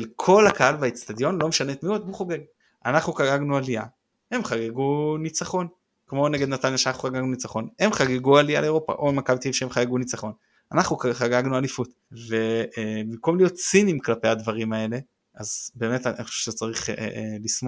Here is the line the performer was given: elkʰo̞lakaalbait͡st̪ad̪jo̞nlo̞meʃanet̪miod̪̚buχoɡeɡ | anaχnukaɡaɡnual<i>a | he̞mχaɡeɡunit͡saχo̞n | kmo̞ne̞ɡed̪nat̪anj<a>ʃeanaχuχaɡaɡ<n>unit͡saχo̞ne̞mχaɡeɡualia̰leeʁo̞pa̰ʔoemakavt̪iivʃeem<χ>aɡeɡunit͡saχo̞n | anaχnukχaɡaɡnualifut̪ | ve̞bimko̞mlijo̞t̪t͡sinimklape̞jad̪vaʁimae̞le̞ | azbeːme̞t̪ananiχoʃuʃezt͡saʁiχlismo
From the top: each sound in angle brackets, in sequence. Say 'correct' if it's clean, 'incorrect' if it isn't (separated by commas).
correct, correct, correct, correct